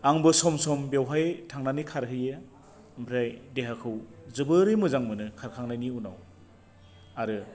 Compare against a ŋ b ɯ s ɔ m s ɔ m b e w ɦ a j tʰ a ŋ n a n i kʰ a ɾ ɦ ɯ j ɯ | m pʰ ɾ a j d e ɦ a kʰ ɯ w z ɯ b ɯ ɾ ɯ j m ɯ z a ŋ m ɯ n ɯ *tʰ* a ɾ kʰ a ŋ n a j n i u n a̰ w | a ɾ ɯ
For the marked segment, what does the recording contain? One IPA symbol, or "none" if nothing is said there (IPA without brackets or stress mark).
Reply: kʰ